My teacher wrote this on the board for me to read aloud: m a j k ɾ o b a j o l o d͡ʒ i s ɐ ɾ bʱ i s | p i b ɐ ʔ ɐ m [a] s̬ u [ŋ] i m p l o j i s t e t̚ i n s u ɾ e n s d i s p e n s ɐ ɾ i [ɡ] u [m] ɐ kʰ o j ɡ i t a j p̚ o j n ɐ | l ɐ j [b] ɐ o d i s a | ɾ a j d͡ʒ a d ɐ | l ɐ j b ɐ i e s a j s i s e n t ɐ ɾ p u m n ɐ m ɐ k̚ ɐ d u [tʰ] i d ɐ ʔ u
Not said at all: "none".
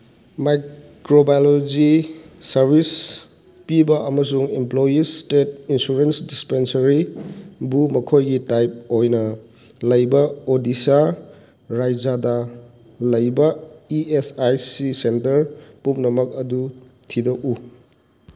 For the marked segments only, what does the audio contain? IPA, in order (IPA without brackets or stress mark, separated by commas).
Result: ɐ, ŋ, b, m, b, tʰ